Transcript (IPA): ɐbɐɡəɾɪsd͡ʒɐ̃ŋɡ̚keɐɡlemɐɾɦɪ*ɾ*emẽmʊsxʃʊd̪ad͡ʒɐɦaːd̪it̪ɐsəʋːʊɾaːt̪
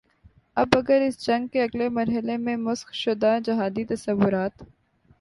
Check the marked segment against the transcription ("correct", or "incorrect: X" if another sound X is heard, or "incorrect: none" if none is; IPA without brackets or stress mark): incorrect: l